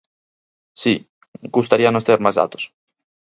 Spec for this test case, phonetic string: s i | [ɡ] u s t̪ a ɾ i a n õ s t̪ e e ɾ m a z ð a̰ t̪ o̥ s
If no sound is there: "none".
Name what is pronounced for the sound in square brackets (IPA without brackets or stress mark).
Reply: ɡ